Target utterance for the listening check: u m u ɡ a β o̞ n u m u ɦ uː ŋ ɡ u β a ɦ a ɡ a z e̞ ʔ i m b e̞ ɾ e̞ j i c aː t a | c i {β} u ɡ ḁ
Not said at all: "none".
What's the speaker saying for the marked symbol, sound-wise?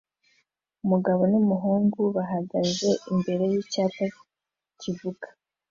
v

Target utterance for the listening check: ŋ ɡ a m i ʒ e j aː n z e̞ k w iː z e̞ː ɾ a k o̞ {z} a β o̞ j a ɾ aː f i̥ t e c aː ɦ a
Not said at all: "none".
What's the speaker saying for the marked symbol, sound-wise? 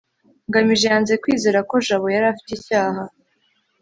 ʒ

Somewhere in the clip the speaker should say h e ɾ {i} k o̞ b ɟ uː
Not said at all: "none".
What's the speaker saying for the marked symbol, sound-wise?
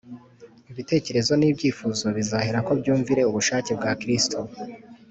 a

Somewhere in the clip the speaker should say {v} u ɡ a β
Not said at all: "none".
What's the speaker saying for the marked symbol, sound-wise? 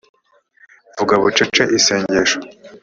v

